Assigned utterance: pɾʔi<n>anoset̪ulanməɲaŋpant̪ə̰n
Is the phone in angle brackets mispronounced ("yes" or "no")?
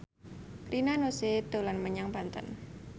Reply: no